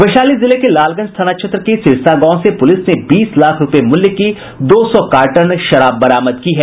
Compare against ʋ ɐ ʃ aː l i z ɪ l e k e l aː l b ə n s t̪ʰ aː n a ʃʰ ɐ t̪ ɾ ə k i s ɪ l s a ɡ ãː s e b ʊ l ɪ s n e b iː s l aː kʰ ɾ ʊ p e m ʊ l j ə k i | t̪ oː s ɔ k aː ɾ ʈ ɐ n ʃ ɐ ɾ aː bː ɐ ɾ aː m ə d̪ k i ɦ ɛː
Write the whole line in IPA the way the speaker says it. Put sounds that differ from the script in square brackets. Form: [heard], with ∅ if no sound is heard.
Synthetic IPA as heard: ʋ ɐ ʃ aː l i z ɪ l e k e l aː l [ɡ] ə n s t̪ʰ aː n a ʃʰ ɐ t̪ ɾ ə k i s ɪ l s a ɡ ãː s e [p] ʊ l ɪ s n e b iː s l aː kʰ ɾ ʊ p e m ʊ l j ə k i | [d̪] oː s ɔ k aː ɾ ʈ [ə] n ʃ ɐ ɾ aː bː ɐ ɾ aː m ə d̪ k i ɦ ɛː